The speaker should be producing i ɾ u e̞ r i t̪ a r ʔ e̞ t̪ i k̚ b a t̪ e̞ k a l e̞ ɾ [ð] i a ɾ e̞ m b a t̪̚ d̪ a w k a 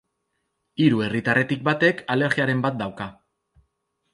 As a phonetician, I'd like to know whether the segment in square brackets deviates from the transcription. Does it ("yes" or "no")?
yes